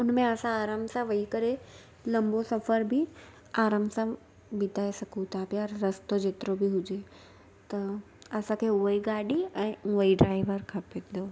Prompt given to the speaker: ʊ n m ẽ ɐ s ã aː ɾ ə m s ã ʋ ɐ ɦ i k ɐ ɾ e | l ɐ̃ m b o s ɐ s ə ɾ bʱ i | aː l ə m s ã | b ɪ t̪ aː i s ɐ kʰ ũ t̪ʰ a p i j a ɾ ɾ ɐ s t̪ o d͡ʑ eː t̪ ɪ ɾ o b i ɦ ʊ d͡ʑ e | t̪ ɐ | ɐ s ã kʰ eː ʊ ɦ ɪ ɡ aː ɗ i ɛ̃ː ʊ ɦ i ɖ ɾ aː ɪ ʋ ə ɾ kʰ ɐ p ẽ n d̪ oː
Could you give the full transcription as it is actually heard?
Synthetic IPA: ʊ n m ẽ ɐ s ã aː ɾ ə m s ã ʋ ɐ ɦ i k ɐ ɾ e | l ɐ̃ m b o s ɐ f ə ɾ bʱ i | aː ɾ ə m s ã | b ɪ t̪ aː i s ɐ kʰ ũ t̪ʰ a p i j a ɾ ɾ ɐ s t̪ o d͡ʑ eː t̪ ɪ ɾ o b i ɦ ʊ d͡ʑ e | t̪ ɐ | ɐ s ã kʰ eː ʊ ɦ i ɡ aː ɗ i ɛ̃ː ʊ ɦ i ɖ ɾ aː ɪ ʋ ə ɾ kʰ ɐ p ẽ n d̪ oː

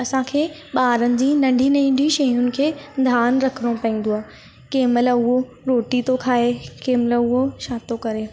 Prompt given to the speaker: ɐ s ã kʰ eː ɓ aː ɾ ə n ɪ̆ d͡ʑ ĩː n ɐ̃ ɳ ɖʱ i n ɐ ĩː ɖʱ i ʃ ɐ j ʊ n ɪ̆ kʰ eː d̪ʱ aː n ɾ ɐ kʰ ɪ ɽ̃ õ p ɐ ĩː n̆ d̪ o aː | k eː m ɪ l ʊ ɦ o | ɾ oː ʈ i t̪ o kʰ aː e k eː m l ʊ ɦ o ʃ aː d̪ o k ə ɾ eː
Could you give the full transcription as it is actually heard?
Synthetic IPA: ɐ s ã kʰ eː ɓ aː ɾ ə n ɪ̆ d͡ʑ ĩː n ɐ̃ ɳ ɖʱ i n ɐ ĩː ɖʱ i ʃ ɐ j ʊ n ɪ̆ kʰ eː d̪ʱ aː n ɾ ɐ kʰ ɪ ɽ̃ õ p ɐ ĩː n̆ d̪ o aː | k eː m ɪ l ʊ ɦ o | ɾ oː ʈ i t̪ o kʰ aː e k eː m l ʊ ɦ o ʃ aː t̪ o k ɐ ɾ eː

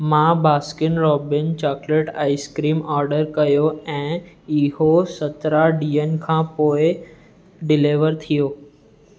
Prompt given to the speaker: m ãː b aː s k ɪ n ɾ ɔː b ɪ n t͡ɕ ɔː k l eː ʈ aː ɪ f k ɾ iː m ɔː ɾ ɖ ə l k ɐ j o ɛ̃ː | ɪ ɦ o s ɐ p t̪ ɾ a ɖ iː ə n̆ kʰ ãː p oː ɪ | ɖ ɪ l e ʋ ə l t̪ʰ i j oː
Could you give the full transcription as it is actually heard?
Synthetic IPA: m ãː b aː s k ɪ n ɾ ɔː b ɪ n t͡ɕ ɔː k l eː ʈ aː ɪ s k ɾ iː m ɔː ɾ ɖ ə ɾ k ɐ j o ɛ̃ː | ɪ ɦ o s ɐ t̪ ɾ a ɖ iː ə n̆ kʰ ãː p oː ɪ | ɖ ɪ l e ʋ ə ɾ t̪ʰ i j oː

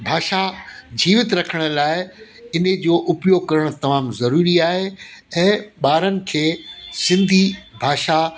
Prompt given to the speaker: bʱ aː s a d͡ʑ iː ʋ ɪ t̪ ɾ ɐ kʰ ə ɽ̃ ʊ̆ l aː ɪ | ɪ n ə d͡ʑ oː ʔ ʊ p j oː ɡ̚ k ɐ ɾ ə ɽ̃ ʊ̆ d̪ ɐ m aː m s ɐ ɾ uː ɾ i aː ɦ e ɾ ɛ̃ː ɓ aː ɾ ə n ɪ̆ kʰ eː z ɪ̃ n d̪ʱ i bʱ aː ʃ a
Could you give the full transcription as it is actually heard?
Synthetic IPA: bʱ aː ʃ a d͡ʑ iː ʋ ɪ t̪ ɾ ɐ kʰ ə ɽ̃ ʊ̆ l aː ɪ | ɪ n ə d͡ʑ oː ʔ ʊ p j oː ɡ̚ k ɐ ɾ ə ɽ̃ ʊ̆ t̪ ɐ m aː m z ɐ ɾ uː ɾ i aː ɦ e ɛ̃ː ɓ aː ɾ ə n ɪ̆ kʰ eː s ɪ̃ n d̪ʱ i bʱ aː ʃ a

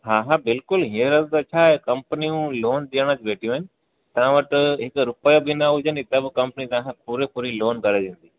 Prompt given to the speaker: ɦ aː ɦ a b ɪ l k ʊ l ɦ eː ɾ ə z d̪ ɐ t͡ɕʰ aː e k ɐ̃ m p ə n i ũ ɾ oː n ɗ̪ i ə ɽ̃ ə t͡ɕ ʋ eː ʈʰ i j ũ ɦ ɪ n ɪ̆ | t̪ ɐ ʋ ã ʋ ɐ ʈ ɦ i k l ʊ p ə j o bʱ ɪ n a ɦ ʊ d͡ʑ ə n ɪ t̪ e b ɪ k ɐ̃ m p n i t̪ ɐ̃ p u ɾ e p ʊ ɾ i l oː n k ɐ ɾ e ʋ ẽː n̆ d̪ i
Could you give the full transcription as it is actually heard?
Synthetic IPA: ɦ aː ɦ a b ɪ l k ʊ l ɦ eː ɾ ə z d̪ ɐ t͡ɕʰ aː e k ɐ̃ m p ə n i ũ l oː n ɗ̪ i ə ɽ̃ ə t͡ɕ ʋ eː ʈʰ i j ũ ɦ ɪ n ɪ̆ | t̪ ɐ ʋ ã ʋ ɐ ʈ ɦ ɪ k ɾ ʊ p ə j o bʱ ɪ n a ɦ ʊ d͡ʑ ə n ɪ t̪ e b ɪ k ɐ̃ m p n i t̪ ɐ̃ p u ɾ e p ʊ ɾ i l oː n k ɐ ɾ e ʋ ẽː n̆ d̪ i

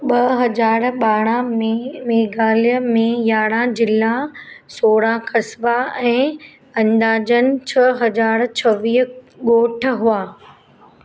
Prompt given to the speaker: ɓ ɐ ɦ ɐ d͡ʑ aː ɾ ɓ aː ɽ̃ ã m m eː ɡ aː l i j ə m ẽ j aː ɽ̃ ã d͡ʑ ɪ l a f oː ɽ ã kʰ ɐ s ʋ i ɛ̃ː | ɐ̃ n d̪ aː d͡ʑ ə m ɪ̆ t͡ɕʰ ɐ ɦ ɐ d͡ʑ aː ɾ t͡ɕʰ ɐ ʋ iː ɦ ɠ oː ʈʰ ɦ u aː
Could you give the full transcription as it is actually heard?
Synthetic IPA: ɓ ɐ ɦ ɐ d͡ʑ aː ɾ ɓ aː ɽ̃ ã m m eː ɡ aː l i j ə m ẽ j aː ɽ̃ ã d͡ʑ ɪ l a s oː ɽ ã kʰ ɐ s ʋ a ɛ̃ː | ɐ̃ n d̪ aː d͡ʑ ə n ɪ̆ t͡ɕʰ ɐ ɦ ɐ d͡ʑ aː ɾ t͡ɕʰ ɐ ʋ iː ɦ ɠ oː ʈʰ ɦ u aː

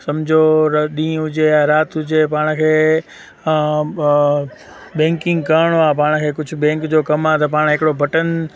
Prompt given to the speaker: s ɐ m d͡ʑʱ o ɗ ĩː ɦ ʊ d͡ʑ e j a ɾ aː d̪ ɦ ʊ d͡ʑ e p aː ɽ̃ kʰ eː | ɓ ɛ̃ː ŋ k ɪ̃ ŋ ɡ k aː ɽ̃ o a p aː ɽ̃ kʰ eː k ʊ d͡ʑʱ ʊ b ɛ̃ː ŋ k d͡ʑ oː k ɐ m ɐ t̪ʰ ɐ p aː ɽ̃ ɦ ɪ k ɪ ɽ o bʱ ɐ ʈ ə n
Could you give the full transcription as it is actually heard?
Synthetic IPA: s ɐ m d͡ʑʱ o ɗ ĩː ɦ ʊ d͡ʑ e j a ɾ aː t̪ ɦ ʊ d͡ʑ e p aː ɽ̃ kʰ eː | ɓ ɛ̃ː ŋ k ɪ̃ ŋ ɡ k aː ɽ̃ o a p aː ɽ̃ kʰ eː k ʊ d͡ʑʱ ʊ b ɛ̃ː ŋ k d͡ʑ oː k ɐ m a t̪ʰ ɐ p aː ɽ̃ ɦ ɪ k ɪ ɽ o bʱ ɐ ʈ ə n

